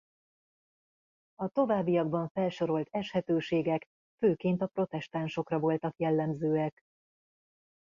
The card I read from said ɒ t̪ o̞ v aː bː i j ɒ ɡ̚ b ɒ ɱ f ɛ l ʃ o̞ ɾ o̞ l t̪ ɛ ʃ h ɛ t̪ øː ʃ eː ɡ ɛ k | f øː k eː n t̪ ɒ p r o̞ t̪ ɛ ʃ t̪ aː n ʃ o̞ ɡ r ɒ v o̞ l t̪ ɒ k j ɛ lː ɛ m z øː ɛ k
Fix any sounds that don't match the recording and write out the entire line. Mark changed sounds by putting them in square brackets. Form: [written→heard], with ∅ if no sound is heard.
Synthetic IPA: ɒ t̪ o̞ v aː bː i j ɒ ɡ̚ b ɒ ɱ f ɛ l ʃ o̞ ɾ o̞ l t̪ ɛ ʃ h ɛ t̪ øː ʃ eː ɡ ɛ k | f øː k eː n t̪ ɒ p r o̞ t̪ ɛ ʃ t̪ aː n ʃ o̞ [ɡ→k] r ɒ v o̞ l t̪ ɒ k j ɛ lː ɛ m z øː ɛ k